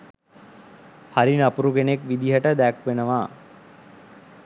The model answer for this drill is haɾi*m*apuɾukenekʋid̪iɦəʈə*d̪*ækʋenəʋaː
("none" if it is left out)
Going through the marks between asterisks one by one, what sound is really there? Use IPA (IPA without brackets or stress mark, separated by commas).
n, d̪